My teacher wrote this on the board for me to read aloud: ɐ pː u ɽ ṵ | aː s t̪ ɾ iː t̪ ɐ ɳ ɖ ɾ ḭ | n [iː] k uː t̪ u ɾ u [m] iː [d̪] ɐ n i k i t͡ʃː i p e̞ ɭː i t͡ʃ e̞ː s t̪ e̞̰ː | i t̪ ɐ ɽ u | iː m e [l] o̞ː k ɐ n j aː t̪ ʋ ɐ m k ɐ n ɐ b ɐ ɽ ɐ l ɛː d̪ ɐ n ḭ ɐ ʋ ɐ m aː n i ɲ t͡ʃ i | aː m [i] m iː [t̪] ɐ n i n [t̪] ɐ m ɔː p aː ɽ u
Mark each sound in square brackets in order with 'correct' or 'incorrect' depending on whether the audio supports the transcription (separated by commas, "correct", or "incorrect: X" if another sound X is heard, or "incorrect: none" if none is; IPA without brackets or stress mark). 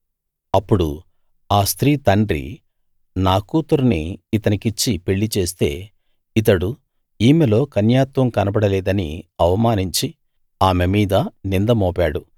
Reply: incorrect: aː, incorrect: n, incorrect: t̪, correct, incorrect: e, incorrect: d̪, incorrect: d̪